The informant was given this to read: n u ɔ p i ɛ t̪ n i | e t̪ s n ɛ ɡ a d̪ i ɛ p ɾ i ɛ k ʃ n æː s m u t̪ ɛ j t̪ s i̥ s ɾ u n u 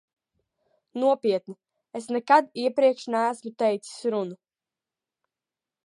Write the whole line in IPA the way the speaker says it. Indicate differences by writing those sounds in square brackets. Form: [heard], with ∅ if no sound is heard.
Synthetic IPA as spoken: n u ɔ p i ɛ t̪ n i | e [∅] s n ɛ [k] a d̪ i ɛ p ɾ i ɛ k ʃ n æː s m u t̪ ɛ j t̪ s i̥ s ɾ u n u